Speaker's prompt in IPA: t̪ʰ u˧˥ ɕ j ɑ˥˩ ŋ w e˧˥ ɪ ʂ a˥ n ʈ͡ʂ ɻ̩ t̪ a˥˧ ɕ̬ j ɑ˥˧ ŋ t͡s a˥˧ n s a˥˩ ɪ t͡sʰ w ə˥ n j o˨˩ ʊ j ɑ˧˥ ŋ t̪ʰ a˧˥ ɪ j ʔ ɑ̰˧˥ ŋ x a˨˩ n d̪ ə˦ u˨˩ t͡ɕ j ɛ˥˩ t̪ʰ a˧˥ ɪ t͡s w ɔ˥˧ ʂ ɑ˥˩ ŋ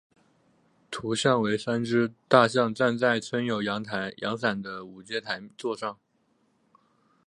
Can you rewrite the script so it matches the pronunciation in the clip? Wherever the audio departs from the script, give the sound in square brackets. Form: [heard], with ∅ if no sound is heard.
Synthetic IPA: t̪ʰ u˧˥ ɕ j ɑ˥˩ ŋ w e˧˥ ɪ ʂ a˥ n ʈ͡ʂ ɻ̩ t̪ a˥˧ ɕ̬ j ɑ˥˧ ŋ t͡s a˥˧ n [t͡s] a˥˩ ɪ t͡sʰ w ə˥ n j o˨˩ ʊ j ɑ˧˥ ŋ t̪ʰ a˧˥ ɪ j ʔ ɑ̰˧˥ ŋ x a˨˩ n d̪ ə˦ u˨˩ t͡ɕ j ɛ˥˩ t̪ʰ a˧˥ ɪ t͡s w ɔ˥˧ ʂ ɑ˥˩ ŋ